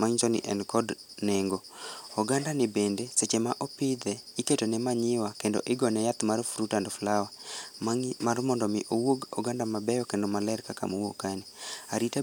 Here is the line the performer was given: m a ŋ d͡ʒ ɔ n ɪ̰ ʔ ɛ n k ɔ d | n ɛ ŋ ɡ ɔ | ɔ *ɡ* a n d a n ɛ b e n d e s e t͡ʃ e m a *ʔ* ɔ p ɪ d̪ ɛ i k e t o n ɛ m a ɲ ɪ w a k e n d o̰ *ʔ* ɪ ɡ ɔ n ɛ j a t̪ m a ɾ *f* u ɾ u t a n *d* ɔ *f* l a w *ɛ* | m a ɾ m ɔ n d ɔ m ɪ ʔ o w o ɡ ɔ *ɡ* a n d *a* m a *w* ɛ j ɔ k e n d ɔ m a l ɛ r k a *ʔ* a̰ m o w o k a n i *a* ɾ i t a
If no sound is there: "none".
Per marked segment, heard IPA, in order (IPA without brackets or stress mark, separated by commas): ɡ, ʔ, ʔ, f, d, f, a, ɡ, a, b, k, a